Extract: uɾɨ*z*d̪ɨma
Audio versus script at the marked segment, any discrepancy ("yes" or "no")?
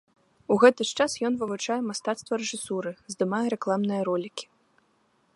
no